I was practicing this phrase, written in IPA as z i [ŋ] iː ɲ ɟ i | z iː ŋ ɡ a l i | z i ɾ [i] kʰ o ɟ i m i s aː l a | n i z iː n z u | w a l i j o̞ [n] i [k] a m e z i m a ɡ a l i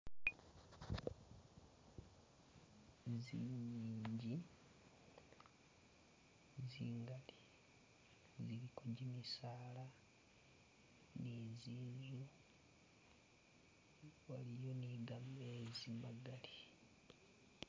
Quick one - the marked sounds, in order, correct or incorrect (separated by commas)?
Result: incorrect, correct, correct, incorrect